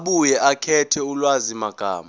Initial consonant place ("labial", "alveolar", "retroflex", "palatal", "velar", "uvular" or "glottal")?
labial